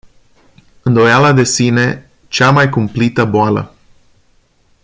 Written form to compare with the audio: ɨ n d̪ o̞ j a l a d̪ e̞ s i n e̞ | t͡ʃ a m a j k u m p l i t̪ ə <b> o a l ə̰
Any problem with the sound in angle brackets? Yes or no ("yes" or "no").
no